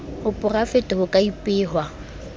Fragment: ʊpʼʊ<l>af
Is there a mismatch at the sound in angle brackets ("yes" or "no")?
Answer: yes